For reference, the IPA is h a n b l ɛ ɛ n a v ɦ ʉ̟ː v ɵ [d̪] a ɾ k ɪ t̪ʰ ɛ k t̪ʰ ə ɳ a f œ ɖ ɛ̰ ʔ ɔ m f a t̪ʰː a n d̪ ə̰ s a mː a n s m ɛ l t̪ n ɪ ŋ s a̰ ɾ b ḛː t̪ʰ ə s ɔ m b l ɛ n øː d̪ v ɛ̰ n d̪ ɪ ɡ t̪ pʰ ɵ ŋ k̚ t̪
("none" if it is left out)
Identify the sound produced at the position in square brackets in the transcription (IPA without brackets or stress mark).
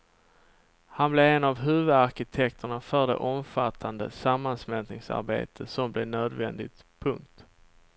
d̪